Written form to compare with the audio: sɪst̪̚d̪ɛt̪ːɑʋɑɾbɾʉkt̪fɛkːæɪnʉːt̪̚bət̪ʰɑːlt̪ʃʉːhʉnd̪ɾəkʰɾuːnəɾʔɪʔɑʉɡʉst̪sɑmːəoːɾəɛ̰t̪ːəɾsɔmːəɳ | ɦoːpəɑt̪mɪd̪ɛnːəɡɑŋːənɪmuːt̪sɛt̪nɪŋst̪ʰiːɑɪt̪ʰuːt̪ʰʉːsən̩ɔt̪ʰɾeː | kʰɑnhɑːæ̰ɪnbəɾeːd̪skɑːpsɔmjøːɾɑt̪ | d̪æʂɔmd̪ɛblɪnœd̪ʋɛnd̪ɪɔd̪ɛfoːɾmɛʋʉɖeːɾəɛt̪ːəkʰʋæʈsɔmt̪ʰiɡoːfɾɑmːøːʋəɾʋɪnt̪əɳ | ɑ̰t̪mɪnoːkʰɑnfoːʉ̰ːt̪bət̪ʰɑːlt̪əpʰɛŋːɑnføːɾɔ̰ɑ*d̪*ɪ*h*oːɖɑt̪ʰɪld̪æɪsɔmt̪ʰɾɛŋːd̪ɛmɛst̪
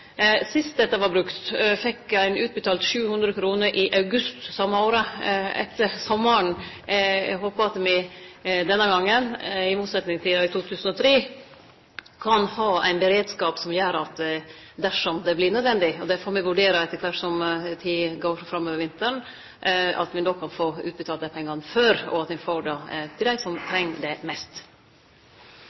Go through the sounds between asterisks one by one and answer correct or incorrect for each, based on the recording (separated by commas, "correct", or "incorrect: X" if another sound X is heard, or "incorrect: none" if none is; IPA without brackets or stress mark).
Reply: incorrect: t̪, incorrect: f